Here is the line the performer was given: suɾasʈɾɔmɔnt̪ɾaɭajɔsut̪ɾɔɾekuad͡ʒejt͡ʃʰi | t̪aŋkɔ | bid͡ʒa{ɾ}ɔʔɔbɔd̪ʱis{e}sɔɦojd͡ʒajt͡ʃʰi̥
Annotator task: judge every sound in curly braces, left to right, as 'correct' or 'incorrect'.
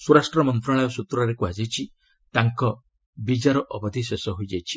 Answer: correct, correct

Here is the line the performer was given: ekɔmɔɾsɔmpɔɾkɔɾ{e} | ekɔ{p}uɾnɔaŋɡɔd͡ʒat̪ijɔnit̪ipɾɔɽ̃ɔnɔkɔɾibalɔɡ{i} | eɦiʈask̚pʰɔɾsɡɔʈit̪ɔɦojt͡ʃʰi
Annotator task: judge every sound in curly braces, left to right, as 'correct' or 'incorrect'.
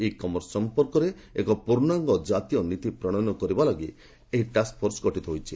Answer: correct, correct, correct

